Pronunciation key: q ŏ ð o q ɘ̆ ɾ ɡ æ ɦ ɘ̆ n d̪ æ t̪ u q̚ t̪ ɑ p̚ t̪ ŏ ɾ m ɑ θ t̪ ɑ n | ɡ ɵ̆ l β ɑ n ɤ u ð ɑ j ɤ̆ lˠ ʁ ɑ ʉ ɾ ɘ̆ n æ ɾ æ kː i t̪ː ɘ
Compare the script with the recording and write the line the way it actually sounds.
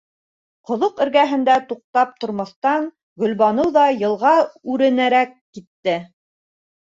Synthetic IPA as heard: q ŏ ð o q ɘ̆ ɾ ɡ æ ɦ ɘ̆ n d̪ æ t̪ u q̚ t̪ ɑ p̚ t̪ ŏ ɾ m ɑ θ t̪ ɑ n | ɡ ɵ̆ l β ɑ n ɤ w ð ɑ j ɤ̆ lˠ ʁ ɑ ʉ ɾ ɘ̆ n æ ɾ æ kː i t̪ː ɘ